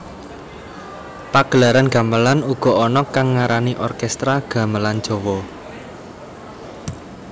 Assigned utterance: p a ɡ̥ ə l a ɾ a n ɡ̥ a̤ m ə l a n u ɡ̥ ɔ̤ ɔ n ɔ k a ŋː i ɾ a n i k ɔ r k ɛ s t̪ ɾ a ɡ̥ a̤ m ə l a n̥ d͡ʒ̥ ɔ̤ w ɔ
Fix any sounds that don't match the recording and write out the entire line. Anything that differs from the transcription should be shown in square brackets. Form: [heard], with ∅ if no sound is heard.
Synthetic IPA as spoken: p a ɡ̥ ə l a ɾ a n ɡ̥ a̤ m ə l a n u ɡ̥ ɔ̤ ɔ n ɔ k a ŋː [a] ɾ a n i [ʔ] ɔ r k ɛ s t̪ ɾ a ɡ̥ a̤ m ə l a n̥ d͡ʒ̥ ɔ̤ w ɔ